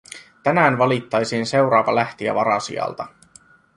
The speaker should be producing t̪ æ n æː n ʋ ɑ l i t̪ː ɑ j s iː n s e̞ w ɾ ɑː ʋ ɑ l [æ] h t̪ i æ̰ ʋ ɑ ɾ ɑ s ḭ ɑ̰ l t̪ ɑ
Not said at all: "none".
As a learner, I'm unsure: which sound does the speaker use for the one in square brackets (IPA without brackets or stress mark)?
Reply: æ